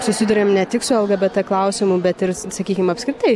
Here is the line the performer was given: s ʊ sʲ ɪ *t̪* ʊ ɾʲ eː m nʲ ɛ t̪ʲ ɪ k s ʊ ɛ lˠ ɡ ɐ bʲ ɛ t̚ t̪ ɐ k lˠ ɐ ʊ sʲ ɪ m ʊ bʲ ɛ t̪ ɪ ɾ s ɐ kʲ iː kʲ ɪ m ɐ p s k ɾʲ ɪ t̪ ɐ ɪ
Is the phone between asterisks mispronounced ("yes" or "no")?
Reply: yes